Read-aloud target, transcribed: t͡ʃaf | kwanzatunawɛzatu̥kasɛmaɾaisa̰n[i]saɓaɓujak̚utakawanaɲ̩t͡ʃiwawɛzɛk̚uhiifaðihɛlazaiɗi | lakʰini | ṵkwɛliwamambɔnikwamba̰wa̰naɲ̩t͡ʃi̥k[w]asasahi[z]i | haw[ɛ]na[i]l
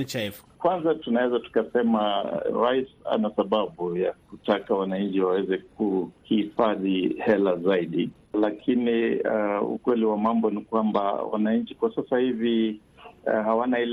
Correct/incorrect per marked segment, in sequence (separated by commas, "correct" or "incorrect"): incorrect, correct, incorrect, incorrect, correct